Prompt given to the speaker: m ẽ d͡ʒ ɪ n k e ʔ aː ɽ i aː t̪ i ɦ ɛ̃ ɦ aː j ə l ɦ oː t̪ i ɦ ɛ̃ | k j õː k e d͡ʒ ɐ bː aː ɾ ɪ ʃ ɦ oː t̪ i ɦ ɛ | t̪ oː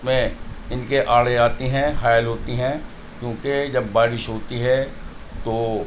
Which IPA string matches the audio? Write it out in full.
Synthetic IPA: m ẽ ɪ n k e ʔ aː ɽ e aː t̪ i ɦ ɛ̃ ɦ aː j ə l ɦ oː t̪ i ɦ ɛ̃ | k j õː k e d͡ʒ ɐ bː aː ɾ ɪ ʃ ɦ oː t̪ i ɦ ɛ | t̪ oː